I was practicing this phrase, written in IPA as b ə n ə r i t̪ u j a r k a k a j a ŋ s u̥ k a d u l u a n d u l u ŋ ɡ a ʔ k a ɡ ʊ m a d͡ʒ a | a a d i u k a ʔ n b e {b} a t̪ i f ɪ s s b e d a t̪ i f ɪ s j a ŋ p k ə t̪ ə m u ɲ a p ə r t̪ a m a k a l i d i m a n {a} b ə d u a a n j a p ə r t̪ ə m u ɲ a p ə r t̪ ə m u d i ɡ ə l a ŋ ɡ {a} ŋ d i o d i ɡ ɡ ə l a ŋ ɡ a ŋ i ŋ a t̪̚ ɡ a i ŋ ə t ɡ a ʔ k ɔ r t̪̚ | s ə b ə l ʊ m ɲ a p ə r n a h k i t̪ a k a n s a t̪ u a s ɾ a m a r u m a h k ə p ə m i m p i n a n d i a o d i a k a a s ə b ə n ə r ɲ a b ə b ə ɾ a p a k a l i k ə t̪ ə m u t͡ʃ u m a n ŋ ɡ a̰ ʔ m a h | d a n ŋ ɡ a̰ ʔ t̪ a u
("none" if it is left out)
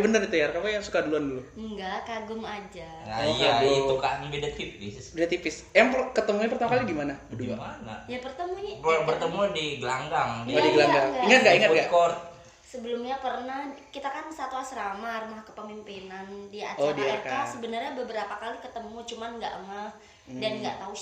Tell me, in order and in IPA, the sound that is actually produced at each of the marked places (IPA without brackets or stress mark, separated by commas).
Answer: d, a, a